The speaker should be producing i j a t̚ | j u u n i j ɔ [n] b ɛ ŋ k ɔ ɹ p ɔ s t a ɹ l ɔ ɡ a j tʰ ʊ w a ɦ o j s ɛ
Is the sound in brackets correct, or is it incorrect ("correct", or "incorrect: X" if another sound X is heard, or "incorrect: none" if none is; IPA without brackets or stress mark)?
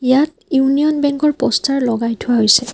correct